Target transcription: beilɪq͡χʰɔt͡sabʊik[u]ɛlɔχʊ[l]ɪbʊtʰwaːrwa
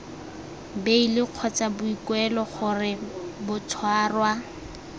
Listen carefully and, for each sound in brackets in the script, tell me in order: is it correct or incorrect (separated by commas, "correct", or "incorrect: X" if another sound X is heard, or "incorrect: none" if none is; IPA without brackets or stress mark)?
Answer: incorrect: w, incorrect: r